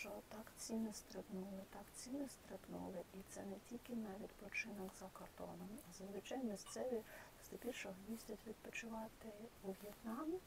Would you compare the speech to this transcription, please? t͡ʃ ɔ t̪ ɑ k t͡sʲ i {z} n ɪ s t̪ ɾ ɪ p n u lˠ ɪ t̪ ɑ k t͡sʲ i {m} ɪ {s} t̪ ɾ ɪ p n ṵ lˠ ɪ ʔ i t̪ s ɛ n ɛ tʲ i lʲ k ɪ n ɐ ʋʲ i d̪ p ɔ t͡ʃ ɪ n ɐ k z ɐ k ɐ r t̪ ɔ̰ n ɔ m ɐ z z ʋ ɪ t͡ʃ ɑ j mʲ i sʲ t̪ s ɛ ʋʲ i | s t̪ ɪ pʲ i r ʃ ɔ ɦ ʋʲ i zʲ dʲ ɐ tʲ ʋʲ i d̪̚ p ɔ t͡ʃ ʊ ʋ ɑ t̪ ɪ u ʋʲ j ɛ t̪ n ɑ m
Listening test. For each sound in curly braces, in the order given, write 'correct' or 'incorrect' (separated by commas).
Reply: incorrect, incorrect, correct